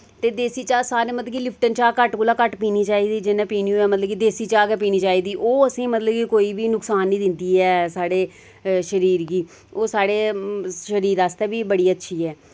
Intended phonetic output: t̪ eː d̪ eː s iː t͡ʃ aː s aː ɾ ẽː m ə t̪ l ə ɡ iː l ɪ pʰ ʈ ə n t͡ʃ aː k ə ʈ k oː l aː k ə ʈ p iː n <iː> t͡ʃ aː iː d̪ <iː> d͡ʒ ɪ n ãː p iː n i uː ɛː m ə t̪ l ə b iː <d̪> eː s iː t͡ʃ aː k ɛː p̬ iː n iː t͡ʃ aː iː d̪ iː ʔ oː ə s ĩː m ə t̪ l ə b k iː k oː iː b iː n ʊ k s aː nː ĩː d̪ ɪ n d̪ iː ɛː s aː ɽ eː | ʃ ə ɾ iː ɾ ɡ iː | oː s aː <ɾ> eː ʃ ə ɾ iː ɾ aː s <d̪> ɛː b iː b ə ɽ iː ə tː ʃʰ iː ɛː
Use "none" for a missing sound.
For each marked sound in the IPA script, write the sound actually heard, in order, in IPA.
iː, iː, d̪, ɽ, t̪

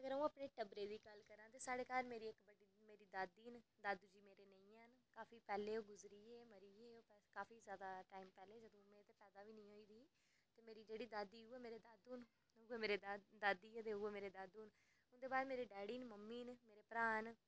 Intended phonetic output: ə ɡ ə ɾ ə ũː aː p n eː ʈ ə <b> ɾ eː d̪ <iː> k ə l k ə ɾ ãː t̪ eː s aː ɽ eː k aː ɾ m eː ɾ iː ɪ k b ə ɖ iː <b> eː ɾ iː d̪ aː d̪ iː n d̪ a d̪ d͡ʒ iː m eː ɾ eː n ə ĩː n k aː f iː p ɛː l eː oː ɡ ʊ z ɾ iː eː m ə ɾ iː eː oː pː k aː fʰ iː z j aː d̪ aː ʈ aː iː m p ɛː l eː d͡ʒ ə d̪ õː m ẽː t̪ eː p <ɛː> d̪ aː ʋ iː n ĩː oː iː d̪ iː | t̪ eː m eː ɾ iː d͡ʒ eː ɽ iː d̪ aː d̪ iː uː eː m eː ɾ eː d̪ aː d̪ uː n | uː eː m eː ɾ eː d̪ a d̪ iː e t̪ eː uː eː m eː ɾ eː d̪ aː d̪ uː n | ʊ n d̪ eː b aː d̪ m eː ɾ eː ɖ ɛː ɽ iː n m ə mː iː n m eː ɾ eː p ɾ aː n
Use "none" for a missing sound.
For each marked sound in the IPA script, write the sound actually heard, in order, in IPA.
b, iː, m, ɛː

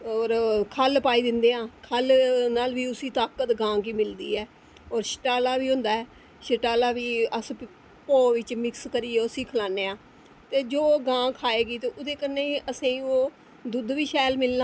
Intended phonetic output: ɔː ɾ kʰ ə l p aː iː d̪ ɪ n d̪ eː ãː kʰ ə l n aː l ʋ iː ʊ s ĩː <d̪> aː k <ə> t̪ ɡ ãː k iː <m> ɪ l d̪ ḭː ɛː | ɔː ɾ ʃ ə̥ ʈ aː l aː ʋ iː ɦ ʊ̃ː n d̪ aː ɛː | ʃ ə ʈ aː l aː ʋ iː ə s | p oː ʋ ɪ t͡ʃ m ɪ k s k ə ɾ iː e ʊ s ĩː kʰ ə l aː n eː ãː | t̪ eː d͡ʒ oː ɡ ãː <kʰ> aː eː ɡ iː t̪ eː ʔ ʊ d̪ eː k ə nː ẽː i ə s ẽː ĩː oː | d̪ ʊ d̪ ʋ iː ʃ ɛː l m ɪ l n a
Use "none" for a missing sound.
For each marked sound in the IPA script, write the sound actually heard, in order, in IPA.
t̪, ə, m, kʰ

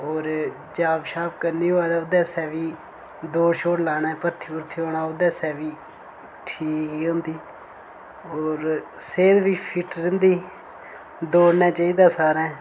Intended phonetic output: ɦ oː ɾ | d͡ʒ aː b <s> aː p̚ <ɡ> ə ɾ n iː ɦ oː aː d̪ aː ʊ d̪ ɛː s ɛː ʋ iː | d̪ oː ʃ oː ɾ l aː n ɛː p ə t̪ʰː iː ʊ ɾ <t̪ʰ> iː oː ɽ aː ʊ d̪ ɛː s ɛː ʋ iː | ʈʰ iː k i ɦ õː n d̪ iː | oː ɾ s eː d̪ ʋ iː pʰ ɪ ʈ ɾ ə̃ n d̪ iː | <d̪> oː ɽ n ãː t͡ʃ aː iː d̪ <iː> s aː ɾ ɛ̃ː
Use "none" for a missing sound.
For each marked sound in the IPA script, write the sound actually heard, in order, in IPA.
ʃ, k, t̪ʰ, d̪, aː

